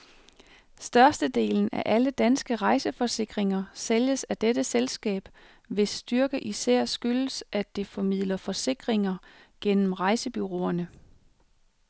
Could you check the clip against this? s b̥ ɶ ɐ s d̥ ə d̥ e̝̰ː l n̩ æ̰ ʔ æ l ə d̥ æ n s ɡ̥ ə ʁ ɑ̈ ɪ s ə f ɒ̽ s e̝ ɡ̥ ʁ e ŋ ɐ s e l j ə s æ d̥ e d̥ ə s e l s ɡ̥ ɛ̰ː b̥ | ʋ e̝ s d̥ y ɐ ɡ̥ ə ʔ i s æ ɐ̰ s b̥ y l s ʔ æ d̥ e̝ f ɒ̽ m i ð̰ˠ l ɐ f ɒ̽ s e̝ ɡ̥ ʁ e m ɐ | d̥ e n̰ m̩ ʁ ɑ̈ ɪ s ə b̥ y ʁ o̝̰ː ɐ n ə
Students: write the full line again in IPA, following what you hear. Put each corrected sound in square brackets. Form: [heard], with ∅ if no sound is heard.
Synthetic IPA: s [d̥] ɶ ɐ s d̥ ə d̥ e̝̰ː l n̩ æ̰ ʔ æ l ə d̥ æ n s ɡ̥ ə ʁ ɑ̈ ɪ s ə f ɒ̽ s e̝ ɡ̥ ʁ e ŋ ɐ s e l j ə s æ d̥ e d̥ ə s e l s ɡ̥ ɛ̰ː b̥ | ʋ e̝ s d̥ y ɐ ɡ̥ ə ʔ i s æ ɐ̰ s [ɡ̥] y l s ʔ æ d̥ e̝ f ɒ̽ m i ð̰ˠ l ɐ f ɒ̽ s e̝ ɡ̥ ʁ e [ŋ] ɐ | [ɡ̥] e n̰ m̩ ʁ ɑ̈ ɪ s ə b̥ y ʁ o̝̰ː ɐ n ə